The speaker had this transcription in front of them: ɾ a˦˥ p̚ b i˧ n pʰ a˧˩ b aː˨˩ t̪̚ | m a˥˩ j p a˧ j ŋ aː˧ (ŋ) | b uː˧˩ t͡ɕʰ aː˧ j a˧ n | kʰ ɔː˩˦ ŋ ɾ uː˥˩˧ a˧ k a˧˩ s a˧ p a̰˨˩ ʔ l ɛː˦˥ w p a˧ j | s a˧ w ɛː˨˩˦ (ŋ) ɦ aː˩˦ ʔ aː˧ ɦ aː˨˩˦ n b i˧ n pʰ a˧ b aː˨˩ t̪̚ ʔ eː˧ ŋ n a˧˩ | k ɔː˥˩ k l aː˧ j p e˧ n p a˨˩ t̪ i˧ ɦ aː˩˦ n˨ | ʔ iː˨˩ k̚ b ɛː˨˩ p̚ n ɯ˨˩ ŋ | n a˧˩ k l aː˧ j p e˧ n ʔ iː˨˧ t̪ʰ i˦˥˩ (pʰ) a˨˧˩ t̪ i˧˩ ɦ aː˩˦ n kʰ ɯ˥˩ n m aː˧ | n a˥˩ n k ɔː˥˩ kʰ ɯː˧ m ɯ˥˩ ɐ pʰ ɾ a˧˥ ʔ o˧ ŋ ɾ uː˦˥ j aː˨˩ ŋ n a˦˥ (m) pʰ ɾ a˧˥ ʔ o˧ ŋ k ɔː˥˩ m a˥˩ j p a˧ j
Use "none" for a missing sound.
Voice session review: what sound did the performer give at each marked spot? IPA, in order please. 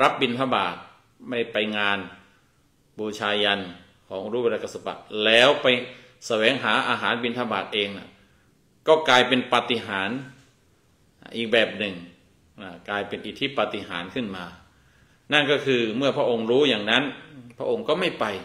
n, ŋ, p, n

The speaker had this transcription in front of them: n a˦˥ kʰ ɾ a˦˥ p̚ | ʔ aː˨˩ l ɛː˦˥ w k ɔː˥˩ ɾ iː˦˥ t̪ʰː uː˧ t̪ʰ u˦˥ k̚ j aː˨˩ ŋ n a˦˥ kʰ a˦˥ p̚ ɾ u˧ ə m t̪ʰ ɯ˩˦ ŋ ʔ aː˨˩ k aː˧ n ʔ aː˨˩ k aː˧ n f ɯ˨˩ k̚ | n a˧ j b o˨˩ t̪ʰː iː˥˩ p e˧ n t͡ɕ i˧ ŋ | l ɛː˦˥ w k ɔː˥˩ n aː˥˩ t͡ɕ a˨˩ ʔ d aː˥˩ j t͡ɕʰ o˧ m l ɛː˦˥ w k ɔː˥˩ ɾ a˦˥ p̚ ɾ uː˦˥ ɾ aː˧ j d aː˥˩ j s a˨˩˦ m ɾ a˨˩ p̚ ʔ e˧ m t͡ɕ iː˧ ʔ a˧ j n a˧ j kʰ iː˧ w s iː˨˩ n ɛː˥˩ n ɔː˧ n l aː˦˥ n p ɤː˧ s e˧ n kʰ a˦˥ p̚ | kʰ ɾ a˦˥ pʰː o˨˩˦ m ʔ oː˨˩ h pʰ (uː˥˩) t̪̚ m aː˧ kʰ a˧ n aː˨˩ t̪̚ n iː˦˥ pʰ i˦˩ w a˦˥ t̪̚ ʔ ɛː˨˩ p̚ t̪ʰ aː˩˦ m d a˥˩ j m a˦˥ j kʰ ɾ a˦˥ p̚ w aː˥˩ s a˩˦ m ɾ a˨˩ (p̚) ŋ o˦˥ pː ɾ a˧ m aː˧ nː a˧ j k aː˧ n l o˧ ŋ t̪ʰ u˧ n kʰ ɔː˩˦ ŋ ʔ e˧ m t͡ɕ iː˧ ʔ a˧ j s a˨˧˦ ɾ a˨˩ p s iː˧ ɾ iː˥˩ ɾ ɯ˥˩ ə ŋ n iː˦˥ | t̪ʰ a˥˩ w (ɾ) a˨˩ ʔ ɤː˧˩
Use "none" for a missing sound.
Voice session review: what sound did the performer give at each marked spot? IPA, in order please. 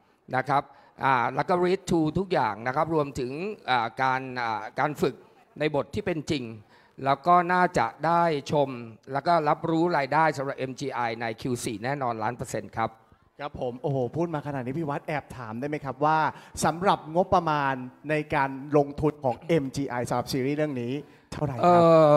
uː˥˩, p̚, ɾ

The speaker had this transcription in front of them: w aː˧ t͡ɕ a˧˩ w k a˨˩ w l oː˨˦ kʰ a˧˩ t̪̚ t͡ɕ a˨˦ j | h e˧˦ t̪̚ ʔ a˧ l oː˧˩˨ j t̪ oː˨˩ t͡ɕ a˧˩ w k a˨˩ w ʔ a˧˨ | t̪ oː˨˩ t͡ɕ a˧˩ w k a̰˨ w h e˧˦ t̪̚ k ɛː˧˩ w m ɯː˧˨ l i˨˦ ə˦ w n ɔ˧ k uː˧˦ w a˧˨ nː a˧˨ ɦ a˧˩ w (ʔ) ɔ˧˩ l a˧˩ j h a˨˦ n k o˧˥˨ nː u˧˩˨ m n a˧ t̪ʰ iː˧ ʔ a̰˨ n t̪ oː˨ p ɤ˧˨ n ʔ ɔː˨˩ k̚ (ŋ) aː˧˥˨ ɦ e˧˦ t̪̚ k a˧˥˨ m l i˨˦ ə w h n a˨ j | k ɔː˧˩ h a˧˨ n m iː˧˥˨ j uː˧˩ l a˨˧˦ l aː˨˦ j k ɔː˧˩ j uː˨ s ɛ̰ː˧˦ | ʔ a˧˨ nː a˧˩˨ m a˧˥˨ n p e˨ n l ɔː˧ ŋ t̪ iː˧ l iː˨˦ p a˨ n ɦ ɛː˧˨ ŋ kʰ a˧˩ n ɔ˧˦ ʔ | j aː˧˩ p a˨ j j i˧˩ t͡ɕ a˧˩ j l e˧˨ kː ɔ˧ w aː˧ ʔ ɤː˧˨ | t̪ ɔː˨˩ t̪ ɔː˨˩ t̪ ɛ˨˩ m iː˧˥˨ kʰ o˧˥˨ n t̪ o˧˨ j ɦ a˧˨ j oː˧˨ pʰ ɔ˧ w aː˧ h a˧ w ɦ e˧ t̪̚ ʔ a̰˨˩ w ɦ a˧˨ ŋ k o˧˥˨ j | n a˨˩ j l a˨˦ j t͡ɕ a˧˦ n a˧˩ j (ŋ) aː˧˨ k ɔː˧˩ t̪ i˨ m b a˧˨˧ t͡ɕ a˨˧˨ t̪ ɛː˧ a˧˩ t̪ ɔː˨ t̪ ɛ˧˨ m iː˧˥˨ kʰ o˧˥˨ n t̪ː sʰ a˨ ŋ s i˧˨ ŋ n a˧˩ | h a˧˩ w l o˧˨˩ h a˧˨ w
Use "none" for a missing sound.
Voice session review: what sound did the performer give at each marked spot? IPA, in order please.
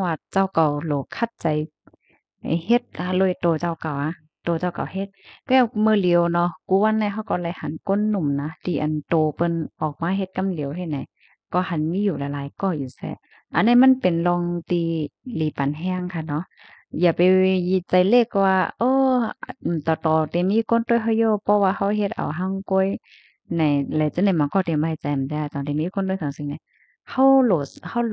k, m, m

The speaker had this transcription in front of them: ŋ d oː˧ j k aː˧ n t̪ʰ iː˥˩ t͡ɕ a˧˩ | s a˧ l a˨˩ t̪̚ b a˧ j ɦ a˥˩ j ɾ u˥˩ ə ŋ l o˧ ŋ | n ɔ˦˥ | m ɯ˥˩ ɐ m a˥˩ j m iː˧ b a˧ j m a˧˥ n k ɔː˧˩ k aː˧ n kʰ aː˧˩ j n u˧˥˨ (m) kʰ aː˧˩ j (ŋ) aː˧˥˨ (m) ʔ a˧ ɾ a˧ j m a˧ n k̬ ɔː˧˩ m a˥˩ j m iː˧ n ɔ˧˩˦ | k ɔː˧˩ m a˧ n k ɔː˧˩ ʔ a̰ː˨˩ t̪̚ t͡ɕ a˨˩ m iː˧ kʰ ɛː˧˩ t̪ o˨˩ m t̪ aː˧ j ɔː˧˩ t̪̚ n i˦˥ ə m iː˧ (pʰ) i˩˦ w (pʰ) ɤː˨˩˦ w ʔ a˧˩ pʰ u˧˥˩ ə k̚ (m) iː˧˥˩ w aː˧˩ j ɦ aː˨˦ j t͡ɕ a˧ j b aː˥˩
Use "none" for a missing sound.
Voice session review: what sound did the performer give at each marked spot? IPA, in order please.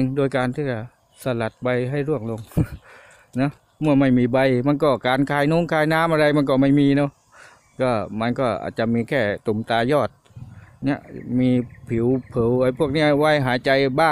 ŋ, n, m, pʰ, pʰ, n

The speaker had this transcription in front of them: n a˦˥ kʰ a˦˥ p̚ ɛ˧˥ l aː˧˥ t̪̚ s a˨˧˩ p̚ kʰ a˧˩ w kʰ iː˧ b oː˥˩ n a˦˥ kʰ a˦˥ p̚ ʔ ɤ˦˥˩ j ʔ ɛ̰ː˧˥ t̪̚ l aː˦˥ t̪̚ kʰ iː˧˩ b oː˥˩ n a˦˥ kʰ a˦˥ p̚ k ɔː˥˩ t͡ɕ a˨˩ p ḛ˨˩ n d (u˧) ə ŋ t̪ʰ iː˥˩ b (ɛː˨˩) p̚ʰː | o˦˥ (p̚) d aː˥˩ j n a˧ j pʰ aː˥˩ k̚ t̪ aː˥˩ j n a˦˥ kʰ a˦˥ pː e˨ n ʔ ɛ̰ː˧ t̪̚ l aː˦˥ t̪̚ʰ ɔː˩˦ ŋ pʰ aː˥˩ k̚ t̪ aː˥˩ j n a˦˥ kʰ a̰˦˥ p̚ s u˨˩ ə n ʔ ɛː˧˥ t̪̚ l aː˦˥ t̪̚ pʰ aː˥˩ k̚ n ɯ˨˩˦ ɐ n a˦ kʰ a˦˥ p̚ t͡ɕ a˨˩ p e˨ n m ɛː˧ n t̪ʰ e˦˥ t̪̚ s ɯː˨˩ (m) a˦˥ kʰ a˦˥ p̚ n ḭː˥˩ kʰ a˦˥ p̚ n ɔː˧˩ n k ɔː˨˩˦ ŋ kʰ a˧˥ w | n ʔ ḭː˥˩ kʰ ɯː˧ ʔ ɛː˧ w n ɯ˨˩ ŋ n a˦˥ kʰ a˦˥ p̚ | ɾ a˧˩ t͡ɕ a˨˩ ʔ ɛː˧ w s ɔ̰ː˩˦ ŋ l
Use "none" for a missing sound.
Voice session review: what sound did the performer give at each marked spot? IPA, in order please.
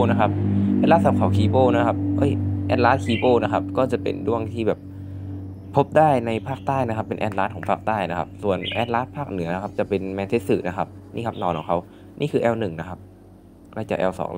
u˥˩, ɛː˨˩, p̚, n

